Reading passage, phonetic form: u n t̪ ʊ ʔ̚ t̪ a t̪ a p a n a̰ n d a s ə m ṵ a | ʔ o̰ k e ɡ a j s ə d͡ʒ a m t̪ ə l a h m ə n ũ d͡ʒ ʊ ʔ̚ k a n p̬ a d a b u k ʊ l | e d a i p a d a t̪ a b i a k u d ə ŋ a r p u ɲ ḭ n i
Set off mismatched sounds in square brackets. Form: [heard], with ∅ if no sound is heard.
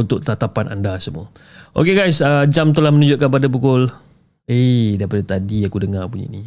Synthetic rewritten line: u n t̪ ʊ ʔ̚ t̪ a t̪ a p a n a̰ n d a s ə m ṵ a | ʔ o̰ k e ɡ a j s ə d͡ʒ a m t̪ ə l a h m ə n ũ d͡ʒ ʊ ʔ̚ k a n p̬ a d a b u k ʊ l | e d a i p a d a t̪ a [d] i a k u d ə ŋ a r p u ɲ ḭ n i